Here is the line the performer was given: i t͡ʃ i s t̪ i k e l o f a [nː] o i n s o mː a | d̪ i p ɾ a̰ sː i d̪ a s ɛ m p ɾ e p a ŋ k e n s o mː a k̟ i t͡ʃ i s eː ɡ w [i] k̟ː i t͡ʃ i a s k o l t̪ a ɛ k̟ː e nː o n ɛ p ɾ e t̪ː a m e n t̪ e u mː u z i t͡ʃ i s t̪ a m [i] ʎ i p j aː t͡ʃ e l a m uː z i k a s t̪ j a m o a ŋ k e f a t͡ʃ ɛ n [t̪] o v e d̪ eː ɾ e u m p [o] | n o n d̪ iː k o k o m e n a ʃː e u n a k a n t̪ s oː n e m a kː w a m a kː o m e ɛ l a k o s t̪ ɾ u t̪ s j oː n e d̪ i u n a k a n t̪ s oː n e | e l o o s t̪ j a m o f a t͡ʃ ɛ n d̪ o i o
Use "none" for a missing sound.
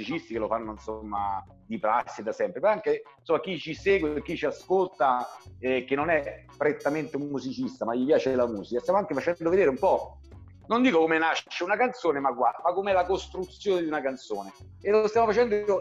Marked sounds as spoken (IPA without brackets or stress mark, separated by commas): nː, e, a, d̪, ɔ